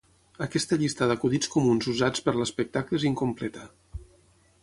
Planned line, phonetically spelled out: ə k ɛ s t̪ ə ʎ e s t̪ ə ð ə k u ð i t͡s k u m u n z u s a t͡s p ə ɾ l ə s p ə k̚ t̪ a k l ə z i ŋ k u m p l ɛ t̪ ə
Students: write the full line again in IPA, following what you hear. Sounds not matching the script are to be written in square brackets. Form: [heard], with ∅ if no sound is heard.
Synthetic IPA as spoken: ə k ɛ s t̪ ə ʎ [i] s t̪ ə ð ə k u ð i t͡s k u m u n z u [z] a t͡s p ə ɾ l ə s p ə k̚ t̪ a k l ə z i ŋ k u m p l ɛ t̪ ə